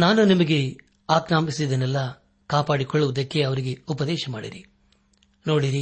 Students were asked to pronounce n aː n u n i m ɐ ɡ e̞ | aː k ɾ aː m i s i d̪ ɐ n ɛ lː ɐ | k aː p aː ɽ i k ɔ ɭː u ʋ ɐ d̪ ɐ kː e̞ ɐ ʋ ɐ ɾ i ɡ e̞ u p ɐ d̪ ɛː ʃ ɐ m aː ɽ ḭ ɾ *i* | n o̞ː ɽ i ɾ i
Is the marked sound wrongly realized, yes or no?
no